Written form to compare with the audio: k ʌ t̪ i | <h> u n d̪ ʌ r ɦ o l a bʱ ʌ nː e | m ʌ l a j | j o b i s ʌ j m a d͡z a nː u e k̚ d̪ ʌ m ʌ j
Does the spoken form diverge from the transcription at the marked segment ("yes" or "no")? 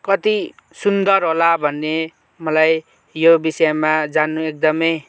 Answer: yes